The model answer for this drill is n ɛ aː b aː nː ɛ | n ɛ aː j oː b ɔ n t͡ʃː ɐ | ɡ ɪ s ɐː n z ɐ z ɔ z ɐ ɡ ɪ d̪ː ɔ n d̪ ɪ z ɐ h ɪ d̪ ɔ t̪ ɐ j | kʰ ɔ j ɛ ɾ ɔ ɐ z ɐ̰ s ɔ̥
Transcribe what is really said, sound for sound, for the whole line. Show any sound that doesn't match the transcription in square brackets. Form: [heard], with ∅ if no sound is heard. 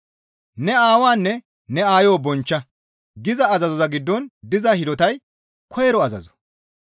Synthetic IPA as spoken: n ɛ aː [w] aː nː ɛ | n ɛ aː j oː b ɔ n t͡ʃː ɐ | ɡ ɪ [z] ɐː [∅] z ɐ z ɔ z ɐ ɡ ɪ d̪ː ɔ n d̪ ɪ z ɐ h ɪ d̪ ɔ t̪ ɐ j | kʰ ɔ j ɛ ɾ ɔ ɐ z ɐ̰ [z] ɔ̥